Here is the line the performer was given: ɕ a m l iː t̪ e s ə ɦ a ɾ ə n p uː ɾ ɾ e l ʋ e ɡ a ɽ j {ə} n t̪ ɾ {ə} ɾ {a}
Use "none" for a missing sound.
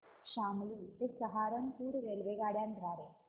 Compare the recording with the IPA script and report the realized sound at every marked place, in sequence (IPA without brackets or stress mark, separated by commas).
a, a, e